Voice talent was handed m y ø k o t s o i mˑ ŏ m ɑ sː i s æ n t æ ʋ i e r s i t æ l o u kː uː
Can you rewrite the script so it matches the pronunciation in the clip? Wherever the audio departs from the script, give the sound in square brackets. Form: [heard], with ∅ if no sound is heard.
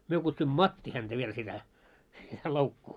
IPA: m y ø k [u] t s [u] i mˑ ŏ m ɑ [tː] i [h] æ n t æ ʋ i e [l] s i t æ l o u kː uː